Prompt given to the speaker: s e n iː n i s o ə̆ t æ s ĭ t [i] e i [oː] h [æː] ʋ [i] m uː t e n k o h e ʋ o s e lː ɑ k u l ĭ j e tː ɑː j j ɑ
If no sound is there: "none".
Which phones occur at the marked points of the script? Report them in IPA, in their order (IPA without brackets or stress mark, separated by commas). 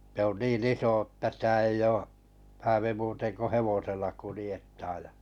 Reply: æ, oː, æː, i